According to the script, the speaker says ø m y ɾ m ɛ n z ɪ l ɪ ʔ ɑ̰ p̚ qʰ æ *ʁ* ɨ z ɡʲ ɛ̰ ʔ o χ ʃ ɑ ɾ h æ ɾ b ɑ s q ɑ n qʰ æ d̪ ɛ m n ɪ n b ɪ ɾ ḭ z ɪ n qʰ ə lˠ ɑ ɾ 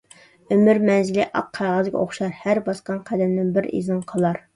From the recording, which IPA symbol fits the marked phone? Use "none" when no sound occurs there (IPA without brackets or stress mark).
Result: ʁ